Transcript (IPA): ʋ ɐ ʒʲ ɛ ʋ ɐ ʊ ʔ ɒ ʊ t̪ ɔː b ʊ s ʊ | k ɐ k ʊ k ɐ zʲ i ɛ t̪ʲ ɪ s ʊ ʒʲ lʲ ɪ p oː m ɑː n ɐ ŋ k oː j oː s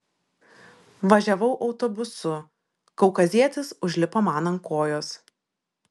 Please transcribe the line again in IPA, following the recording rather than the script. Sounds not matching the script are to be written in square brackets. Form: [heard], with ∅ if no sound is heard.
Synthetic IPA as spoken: ʋ ɐ ʒʲ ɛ ʋ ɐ ʊ ʔ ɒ ʊ t̪ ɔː b ʊ s ʊ | k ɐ [∅] ʊ k ɐ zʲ i ɛ t̪ʲ ɪ s ʊ ʒʲ lʲ ɪ p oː m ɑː n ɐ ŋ k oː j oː s